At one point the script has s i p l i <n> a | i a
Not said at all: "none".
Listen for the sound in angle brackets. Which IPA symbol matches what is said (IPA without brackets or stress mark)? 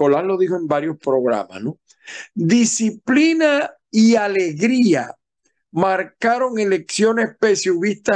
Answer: n